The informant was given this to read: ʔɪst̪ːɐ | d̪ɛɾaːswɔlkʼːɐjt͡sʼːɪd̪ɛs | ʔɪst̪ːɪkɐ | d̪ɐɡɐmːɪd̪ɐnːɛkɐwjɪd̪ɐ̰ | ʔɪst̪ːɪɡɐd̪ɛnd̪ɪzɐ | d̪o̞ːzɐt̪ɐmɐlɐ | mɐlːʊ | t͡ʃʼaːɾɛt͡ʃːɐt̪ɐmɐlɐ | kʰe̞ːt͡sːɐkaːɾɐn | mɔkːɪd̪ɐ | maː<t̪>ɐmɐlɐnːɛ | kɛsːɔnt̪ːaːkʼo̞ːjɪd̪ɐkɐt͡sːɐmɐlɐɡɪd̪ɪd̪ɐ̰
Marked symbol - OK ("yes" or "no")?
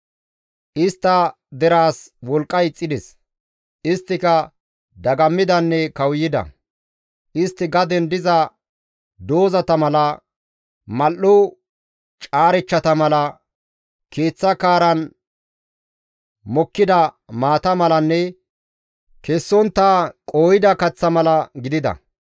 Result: yes